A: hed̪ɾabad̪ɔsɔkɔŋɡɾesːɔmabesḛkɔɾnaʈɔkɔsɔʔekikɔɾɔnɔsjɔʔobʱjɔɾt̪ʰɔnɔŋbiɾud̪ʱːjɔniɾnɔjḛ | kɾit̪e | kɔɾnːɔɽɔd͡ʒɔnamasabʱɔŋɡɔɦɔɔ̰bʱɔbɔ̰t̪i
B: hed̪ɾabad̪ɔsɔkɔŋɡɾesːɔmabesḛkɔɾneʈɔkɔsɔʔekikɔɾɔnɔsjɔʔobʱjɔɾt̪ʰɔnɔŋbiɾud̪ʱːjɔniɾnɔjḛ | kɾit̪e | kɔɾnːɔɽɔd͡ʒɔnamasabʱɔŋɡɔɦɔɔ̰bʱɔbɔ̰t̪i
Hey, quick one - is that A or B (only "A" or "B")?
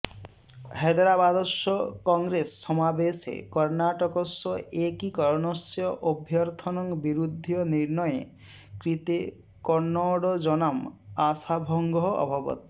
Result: A